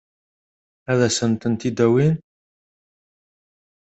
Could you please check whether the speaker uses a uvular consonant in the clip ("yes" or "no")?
no